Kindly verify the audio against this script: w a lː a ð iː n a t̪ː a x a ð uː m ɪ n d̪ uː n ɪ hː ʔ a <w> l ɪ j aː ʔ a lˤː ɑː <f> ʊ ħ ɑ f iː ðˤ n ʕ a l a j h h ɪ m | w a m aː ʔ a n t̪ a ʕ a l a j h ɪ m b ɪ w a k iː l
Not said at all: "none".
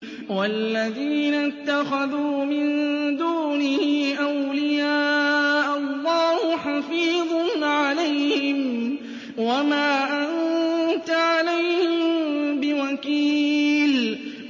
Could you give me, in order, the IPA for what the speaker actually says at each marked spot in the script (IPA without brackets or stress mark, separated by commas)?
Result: w, h